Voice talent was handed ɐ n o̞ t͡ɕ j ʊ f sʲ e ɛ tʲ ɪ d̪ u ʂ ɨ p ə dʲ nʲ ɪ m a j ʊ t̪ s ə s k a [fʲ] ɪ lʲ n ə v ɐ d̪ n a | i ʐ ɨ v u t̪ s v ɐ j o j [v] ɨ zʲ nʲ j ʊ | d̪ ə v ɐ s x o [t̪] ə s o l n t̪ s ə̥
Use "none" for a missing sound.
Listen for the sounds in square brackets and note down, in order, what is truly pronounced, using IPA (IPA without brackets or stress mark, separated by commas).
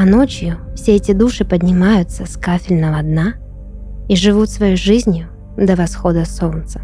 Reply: fʲ, ʐ, d̪